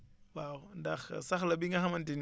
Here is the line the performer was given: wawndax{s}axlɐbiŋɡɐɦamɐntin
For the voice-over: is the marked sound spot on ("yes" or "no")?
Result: yes